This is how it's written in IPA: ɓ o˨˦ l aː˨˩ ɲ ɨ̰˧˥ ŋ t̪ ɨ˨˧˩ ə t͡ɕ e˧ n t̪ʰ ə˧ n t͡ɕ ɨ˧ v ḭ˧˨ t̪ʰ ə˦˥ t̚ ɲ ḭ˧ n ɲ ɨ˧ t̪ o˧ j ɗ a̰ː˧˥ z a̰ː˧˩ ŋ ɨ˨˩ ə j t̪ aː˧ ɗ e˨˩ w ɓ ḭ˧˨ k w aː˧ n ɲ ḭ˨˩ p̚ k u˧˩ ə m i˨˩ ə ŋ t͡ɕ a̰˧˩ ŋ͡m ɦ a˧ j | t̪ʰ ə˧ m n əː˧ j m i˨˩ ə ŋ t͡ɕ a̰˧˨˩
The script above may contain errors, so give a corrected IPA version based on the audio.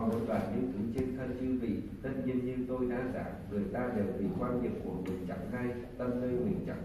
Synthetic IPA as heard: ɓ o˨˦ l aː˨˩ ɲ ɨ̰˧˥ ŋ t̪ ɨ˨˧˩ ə t͡ɕ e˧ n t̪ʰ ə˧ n t͡ɕ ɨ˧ v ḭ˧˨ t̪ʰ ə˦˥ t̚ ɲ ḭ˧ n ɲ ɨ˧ t̪ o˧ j ɗ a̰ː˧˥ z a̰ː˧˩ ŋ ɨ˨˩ ə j t̪ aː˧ ɗ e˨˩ w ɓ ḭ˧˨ k w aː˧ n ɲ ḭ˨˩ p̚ k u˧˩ ə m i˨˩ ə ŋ t͡ɕ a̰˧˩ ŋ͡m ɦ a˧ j | t̪ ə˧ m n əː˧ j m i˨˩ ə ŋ t͡ɕ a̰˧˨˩